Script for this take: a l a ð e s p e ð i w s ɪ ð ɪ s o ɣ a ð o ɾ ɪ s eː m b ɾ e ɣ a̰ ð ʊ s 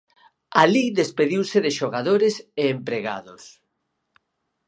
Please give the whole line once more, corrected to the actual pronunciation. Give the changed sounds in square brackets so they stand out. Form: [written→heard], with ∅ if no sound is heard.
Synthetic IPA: a l [a→i] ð e s p e ð i w s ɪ ð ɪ [s→ʃ] o ɣ a ð o ɾ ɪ s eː m [b→p] ɾ e ɣ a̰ ð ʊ s